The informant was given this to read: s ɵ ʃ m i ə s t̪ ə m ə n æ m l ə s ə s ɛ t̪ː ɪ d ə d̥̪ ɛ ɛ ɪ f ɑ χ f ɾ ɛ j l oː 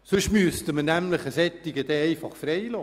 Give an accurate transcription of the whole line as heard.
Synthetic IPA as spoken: s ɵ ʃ m y ə s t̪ ə m ə n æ m l ə χ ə s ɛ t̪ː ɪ ɡ ə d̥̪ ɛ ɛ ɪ f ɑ χ f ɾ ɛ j l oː

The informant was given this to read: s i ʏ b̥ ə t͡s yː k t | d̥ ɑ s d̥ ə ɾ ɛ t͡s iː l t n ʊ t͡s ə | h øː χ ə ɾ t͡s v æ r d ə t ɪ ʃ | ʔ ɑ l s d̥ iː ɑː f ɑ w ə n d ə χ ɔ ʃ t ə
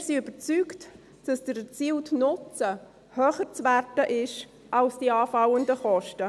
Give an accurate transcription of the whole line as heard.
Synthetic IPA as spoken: s i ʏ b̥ ə t͡s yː k t | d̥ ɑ s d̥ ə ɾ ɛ t͡s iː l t n ʊ t͡s ə | h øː χ ə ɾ t͡s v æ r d ə ʔ ɪ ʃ | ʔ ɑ l s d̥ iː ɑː f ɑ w ə n d ə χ ɔ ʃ t ə

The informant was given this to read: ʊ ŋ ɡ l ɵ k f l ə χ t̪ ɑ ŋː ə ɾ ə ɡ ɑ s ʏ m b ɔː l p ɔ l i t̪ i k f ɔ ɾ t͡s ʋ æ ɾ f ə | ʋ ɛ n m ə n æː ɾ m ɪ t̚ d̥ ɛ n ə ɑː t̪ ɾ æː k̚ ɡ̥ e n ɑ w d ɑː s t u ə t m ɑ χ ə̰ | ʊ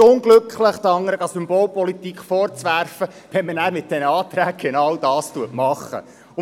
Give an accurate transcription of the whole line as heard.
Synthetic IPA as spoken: ʊ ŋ ɡ l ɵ k χ l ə χ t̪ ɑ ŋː ə ɾ ə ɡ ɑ s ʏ m b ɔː l p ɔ l i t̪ i k f ɔ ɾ t͡s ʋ æ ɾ f ə | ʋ ɛ n m ə n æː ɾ m ɪ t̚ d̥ ɛ n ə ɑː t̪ ɾ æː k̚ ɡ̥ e n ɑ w d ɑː s t u ə t m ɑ χ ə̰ | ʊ

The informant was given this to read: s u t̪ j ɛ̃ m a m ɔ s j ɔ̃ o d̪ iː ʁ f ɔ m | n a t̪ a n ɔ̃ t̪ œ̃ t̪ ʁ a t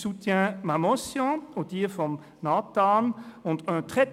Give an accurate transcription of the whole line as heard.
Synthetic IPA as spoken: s u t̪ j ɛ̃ m a m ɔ s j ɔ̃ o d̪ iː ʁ f ɔ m | n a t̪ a n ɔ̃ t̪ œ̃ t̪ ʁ ɛ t

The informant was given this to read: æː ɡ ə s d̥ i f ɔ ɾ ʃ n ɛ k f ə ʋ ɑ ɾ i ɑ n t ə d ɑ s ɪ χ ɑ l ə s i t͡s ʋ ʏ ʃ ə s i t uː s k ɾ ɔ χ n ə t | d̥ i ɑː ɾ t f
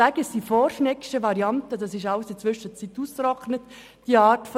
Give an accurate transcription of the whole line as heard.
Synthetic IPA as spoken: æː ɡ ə s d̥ i f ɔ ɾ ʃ n ɛ k ʃ ə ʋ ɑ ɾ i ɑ n t ə d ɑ s ɪ ʃ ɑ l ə s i t͡s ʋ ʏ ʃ ə t͡s i t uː s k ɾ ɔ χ n ə t | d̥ i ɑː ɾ t f

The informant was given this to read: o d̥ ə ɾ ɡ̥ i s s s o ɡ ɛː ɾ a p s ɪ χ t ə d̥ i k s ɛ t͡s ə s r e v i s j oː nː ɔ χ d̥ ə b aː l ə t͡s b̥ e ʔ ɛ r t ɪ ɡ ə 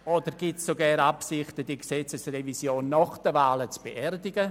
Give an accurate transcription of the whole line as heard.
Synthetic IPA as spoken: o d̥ ə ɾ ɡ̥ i t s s o ɡ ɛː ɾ a p s ɪ χ t ə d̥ i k s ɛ t͡s ə s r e v i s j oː nː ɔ χ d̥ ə v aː l ə t͡s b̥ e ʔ ɛ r d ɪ ɡ ə

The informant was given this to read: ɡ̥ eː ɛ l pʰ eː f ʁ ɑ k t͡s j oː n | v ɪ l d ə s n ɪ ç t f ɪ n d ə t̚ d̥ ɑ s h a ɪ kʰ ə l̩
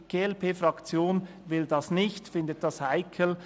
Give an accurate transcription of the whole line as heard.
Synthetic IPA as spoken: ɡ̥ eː ɛ l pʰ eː f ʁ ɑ k t͡s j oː n | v ɪ l d ɑ s n ɪ ç t f ɪ n d ə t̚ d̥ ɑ s h a ɪ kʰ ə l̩

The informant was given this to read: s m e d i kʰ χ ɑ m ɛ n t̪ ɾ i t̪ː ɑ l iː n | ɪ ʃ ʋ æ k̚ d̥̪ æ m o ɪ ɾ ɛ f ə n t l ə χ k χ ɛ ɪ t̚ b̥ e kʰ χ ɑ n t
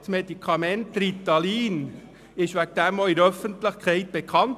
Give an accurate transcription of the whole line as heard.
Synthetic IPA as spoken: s m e d i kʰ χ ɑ m ɛ n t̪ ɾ i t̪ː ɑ l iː n | ɪ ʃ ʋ æ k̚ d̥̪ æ m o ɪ ɾ œ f ə n t l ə χ k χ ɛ ɪ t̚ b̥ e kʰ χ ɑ n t

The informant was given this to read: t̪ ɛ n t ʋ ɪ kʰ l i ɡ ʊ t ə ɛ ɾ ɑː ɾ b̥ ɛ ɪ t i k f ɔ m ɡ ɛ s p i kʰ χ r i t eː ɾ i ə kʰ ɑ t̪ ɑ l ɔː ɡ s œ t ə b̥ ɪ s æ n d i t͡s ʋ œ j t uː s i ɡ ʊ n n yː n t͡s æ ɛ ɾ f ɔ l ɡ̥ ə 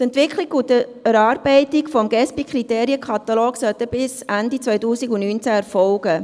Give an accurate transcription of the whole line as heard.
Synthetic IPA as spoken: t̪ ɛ n t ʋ ɪ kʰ l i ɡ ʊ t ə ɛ ɾ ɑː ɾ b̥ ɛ ɪ t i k f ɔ m ɡ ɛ s p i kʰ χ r i t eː ɾ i ə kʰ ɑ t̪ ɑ l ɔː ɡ s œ t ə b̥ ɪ s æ n d i t͡s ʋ œ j t uː s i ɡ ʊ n n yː n t͡s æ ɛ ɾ f ɔ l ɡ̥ ə

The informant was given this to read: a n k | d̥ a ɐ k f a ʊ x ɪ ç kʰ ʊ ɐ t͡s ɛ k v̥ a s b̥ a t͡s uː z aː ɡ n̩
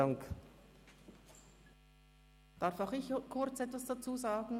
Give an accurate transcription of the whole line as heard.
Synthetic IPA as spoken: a ŋ k | d̥ a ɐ f a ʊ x ɪ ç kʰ ʊ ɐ t͡s ɛ t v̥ a s d̥ a t͡s uː z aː ɡ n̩

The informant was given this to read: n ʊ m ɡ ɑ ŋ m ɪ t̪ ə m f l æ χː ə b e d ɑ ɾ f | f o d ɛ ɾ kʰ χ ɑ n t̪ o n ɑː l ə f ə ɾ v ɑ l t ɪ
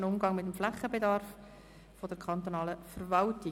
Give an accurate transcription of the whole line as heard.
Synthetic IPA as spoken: n ʊ m ɡ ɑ ŋ m ɪ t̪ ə m f l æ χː ə b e d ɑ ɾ f | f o d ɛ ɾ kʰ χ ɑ n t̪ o n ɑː l ə f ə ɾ v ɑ l t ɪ

